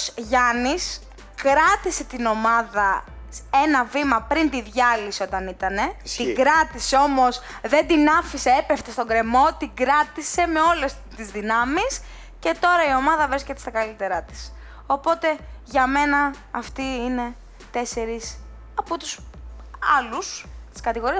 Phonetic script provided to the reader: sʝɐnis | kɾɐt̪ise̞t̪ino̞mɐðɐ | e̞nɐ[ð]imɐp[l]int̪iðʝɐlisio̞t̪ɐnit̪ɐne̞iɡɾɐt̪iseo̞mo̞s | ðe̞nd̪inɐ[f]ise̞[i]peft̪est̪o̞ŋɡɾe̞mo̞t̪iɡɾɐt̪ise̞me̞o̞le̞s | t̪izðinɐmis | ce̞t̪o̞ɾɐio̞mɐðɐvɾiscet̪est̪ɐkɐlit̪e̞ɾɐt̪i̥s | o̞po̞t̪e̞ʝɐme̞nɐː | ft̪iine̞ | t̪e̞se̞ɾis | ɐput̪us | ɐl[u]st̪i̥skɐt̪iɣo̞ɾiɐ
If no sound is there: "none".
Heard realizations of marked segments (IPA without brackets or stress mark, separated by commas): v, ɾ, f, e, u